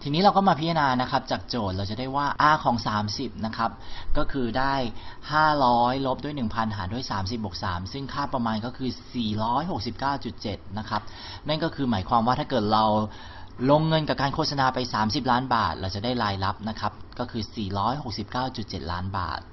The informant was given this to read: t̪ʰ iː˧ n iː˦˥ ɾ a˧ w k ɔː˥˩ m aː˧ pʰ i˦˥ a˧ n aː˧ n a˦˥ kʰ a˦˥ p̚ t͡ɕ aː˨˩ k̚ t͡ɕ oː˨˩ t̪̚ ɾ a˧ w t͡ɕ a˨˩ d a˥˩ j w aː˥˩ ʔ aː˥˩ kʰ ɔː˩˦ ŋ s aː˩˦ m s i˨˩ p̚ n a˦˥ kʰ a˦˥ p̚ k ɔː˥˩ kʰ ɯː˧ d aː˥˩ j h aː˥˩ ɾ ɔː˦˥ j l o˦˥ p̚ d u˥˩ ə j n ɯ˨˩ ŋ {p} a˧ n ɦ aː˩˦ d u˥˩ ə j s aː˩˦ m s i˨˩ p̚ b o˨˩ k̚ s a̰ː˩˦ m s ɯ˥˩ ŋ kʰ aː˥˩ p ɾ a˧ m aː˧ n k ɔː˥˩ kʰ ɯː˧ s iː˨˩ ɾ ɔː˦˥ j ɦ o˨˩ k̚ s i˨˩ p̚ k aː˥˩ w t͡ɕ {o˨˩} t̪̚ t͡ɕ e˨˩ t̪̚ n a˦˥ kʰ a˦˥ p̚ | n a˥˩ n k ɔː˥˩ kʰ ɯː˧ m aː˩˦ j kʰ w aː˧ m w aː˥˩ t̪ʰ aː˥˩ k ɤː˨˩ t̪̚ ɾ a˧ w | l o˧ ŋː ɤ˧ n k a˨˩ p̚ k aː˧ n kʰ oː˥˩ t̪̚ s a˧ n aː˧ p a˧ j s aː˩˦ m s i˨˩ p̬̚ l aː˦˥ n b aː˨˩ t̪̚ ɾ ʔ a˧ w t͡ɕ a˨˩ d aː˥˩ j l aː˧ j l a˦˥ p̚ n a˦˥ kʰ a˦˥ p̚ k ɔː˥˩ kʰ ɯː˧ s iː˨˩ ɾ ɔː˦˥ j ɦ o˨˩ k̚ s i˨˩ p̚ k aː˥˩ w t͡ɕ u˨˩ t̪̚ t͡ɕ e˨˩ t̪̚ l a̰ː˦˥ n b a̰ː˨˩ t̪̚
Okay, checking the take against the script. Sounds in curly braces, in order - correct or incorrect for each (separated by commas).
incorrect, incorrect